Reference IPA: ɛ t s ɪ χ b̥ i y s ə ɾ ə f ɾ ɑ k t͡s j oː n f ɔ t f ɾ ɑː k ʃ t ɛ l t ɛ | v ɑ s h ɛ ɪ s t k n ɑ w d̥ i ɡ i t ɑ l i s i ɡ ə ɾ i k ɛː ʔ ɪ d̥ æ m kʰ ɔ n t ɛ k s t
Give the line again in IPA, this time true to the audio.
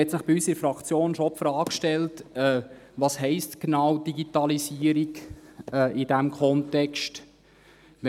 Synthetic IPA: ɛ t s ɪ χ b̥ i y s ə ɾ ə f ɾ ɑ k t͡s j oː n ʃ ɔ p f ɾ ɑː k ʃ t ɛ l t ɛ | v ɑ s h ɛ ɪ s t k n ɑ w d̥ i ɡ i t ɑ l i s i ə ɾ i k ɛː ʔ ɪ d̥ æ m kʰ ɔ n t ɛ k s t